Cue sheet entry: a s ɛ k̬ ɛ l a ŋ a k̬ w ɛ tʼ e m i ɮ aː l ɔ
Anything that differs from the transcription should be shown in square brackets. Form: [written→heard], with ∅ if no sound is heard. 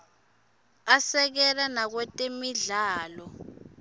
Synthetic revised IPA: a s ɛ k̬ ɛ l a [ŋ→n] a k̬ w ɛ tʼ e m i ɮ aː l ɔ